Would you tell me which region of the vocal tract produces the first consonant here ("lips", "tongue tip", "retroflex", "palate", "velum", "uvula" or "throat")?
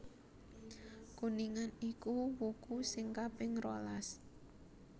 velum